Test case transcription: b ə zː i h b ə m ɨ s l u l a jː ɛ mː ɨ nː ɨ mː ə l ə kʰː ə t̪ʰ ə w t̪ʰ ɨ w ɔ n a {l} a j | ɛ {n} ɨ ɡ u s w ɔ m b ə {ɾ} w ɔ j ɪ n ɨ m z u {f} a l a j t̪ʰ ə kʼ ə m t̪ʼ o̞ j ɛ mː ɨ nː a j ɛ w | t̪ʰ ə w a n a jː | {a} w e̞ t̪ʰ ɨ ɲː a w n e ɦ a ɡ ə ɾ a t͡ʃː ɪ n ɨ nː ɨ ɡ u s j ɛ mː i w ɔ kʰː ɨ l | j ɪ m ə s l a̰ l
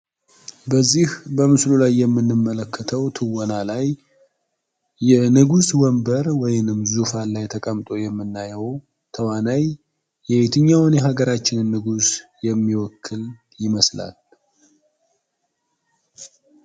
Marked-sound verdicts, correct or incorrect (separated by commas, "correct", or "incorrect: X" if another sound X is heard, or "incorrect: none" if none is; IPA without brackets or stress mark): correct, correct, correct, correct, incorrect: ɛ